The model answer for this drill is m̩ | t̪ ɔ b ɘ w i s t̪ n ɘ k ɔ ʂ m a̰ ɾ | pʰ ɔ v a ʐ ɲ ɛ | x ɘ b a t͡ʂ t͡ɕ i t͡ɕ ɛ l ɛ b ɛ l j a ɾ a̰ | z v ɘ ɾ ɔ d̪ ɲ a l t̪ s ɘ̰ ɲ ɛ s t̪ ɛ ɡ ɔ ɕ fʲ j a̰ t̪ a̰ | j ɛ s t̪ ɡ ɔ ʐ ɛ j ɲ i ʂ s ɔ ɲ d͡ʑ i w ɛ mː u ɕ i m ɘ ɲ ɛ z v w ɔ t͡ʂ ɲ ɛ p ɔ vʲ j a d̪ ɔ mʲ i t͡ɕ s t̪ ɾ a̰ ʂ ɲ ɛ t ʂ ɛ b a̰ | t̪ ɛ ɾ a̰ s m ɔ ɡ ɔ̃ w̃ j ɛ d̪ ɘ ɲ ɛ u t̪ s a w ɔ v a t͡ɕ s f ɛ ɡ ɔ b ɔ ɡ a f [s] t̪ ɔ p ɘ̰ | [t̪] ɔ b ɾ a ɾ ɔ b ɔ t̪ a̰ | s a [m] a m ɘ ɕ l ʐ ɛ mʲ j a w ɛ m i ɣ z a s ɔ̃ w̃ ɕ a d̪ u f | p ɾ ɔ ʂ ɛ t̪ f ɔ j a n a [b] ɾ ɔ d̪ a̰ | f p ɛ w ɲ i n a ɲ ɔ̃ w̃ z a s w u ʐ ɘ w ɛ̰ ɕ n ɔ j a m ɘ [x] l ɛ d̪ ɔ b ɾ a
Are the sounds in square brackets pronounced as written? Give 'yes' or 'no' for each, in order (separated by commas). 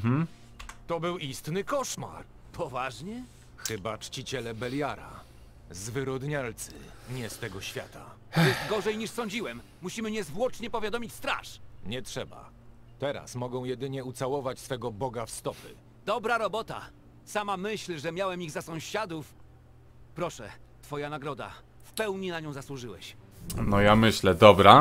yes, no, yes, no, no